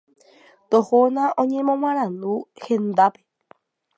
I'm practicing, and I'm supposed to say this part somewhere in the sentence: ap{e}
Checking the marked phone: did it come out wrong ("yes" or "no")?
no